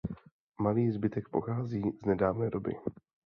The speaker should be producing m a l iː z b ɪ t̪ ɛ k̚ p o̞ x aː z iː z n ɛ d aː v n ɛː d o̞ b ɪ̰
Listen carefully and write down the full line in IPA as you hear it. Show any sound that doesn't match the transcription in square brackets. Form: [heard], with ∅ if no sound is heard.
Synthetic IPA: m a l iː z b ɪ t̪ ɛ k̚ p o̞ x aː z iː z n ɛ d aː v n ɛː d o̞ b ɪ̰